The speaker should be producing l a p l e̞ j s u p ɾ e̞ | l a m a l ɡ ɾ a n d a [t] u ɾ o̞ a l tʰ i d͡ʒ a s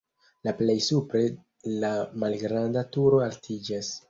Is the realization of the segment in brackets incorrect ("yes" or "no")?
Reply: no